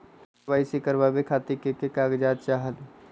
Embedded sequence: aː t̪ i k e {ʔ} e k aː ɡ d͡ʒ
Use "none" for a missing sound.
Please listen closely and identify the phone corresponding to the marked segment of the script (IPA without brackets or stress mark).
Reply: k